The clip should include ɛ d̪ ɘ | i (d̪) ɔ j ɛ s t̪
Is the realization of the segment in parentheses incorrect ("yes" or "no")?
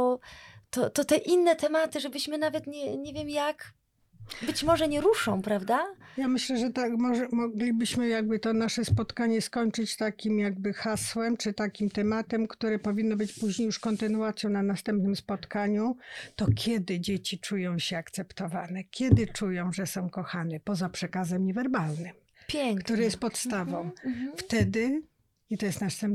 yes